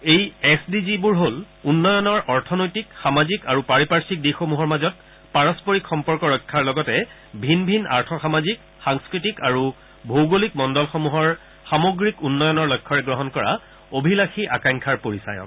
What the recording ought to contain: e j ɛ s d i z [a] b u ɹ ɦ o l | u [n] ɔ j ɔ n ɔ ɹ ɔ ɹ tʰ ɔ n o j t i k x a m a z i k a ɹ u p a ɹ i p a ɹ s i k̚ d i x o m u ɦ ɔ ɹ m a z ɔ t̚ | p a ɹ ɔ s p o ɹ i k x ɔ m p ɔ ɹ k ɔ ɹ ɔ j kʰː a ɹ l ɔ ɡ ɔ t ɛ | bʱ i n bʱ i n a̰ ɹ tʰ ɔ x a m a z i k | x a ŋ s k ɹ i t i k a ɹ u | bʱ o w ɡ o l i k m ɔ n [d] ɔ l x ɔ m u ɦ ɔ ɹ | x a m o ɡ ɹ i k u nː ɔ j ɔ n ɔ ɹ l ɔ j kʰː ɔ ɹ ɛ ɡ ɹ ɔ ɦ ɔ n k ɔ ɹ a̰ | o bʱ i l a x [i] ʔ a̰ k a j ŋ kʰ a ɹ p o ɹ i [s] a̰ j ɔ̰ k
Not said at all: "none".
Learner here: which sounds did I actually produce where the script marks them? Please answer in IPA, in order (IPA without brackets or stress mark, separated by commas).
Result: i, nː, d, i, s